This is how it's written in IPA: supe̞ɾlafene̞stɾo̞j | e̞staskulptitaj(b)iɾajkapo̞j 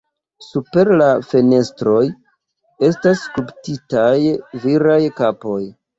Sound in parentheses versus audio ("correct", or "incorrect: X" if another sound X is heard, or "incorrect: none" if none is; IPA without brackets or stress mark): incorrect: v